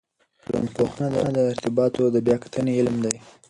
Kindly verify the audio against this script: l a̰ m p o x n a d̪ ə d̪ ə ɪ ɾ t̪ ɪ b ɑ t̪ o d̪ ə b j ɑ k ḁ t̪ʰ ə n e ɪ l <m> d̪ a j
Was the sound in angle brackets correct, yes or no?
yes